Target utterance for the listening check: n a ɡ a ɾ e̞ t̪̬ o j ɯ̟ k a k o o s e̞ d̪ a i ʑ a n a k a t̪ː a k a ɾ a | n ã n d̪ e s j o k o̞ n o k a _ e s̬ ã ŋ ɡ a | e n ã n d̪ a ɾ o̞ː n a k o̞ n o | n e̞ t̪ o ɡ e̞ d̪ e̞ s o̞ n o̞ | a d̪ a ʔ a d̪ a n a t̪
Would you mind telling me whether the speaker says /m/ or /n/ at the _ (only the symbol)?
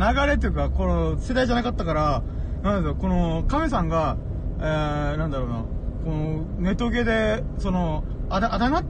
m